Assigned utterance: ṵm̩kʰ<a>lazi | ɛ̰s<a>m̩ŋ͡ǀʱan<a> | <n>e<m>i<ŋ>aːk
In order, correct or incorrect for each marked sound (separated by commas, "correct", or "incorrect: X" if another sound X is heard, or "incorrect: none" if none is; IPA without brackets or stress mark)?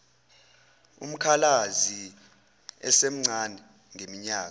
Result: correct, incorrect: e, incorrect: ɛ, incorrect: ŋ, correct, incorrect: ɲ